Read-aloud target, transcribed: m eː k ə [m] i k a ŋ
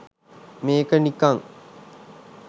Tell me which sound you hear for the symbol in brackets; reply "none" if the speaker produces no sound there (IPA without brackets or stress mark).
n